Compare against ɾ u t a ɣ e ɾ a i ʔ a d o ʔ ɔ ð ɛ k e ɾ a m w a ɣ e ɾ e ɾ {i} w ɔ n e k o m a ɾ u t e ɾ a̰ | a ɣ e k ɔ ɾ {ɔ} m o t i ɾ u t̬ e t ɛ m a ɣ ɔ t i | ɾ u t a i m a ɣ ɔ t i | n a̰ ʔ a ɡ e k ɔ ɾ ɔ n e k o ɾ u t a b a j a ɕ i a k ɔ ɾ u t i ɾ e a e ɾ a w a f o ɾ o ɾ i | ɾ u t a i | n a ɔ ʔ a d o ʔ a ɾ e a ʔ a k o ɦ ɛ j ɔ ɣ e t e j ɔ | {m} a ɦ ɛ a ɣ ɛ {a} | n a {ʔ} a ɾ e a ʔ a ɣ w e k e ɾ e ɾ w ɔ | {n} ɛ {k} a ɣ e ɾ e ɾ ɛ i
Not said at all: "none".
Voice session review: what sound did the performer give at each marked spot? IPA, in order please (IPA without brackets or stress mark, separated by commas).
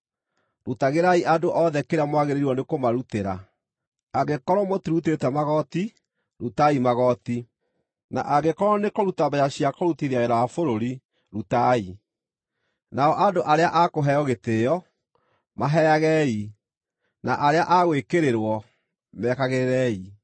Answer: i, ɔ, m, i, ʔ, m, k